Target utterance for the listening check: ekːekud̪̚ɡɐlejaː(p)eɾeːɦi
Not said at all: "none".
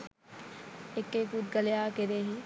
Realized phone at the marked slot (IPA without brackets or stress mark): k